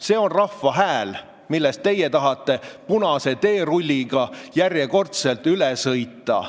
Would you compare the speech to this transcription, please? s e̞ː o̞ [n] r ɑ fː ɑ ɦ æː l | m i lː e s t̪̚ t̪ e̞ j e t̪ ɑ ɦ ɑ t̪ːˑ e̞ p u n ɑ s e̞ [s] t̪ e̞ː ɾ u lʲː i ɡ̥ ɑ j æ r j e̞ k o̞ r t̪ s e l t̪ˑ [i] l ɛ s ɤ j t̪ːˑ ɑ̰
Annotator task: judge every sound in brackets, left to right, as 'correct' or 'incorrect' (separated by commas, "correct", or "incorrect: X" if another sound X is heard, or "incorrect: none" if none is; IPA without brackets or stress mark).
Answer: correct, incorrect: none, incorrect: y